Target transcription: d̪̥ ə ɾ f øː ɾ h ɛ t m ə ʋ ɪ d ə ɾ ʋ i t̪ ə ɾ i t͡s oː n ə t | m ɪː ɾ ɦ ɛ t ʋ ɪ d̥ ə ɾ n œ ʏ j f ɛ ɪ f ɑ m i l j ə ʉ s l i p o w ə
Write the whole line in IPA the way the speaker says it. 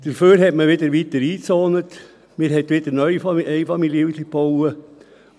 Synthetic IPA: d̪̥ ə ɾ f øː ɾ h ɛ t m ə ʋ ɪ d ə ɾ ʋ i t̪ ə ɾ iː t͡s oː n ə t | m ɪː ɾ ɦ ɛ t ʋ ɪ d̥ ə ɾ n œ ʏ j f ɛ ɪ f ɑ m i l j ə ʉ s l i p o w ə